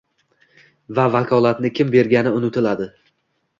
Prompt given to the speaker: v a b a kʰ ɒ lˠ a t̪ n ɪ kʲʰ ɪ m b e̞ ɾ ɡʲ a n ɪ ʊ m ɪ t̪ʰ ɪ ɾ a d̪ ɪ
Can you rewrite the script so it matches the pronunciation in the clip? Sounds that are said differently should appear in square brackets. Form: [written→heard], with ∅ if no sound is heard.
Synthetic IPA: v a [b→v] a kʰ ɒ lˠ a t̪ n ɪ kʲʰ ɪ m b e̞ ɾ ɡʲ a n ɪ ʊ [m→n] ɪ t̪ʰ ɪ [ɾ→l] a d̪ ɪ